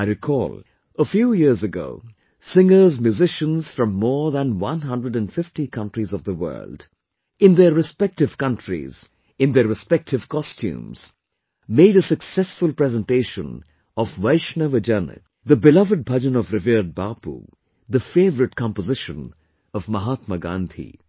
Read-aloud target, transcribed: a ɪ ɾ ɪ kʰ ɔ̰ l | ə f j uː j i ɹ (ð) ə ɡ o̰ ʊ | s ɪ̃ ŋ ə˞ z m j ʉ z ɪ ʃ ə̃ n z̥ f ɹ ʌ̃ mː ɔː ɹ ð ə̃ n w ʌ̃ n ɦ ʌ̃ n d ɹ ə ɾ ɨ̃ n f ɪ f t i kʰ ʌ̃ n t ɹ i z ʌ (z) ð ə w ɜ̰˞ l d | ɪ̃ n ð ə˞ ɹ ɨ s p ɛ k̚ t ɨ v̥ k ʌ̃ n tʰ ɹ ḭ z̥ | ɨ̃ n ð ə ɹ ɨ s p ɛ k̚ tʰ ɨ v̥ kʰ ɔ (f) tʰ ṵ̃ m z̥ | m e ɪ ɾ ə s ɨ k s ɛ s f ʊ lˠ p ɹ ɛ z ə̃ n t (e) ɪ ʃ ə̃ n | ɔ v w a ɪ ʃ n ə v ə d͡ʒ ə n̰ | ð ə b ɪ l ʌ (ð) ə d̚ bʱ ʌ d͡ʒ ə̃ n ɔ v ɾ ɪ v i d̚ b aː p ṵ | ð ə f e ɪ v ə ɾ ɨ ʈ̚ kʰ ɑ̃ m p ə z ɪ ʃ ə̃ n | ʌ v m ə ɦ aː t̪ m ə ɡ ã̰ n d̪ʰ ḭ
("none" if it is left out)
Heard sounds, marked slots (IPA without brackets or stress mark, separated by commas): z, v, s, e, v